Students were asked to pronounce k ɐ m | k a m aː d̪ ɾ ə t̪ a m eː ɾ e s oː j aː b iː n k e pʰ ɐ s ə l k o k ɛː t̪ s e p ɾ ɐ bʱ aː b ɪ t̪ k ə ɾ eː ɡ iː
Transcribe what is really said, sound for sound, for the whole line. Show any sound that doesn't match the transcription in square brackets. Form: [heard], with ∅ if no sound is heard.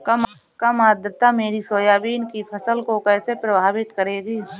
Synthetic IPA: k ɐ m | k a m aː d̪ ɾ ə t̪ a m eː ɾ [i] s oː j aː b iː n k [i] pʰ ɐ s ə l k o k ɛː [∅] s e p ɾ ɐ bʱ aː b ɪ t̪ k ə ɾ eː ɡ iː